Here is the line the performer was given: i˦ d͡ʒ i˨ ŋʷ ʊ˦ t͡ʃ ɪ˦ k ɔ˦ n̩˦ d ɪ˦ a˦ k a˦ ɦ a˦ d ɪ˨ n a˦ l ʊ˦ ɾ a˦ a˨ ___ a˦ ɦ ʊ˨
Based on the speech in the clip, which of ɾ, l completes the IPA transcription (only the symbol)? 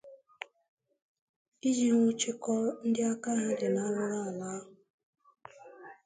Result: l